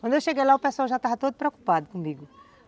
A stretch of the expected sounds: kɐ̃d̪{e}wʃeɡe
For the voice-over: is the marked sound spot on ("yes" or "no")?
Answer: yes